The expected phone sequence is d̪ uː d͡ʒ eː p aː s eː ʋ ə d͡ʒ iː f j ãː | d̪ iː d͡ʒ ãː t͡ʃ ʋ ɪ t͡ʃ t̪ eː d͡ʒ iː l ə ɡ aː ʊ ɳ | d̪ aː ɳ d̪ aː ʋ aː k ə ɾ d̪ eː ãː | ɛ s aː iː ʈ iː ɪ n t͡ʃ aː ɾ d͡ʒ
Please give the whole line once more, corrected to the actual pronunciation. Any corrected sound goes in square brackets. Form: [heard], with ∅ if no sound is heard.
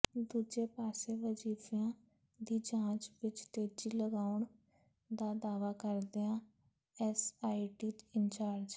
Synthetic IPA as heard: d̪ uː d͡ʒ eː p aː s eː ʋ ə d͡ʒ iː f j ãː | d̪ iː d͡ʒ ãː t͡ʃ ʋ ɪ t͡ʃ t̪ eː d͡ʒ iː l ə ɡ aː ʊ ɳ | d̪ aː [∅] d̪ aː ʋ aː k ə ɾ d̪ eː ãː | ɛ s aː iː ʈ iː ɪ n t͡ʃ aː ɾ d͡ʒ